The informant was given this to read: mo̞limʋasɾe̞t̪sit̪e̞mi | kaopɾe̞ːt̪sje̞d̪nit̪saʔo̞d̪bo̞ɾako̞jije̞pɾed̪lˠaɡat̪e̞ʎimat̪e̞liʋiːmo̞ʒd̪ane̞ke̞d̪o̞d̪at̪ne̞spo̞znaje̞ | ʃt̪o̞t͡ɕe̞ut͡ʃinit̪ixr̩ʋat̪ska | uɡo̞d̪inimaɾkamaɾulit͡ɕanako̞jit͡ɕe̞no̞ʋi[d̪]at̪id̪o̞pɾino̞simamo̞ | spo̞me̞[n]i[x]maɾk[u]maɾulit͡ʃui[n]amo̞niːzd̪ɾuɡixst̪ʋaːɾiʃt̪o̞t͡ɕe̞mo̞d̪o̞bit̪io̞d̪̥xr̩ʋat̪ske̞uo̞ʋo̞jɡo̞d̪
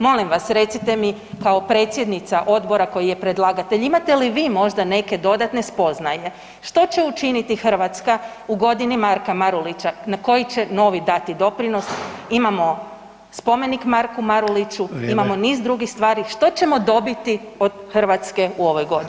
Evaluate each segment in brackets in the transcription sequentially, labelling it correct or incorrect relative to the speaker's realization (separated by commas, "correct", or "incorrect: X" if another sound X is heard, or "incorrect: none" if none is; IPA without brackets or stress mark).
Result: correct, correct, incorrect: k, correct, incorrect: m